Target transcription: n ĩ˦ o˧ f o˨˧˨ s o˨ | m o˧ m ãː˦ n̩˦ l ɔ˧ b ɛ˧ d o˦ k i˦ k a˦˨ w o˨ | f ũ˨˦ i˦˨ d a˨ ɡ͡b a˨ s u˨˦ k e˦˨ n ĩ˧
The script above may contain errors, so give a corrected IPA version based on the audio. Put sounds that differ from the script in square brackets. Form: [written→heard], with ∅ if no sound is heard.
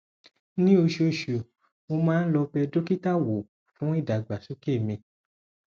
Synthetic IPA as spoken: n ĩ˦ o˧ [f→ʃ] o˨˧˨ [s→ʃ] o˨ | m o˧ m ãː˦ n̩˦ l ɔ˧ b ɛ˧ d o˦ k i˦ [k→t] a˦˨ w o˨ | f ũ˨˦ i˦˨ d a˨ ɡ͡b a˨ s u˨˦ k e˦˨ [n→m] ĩ˧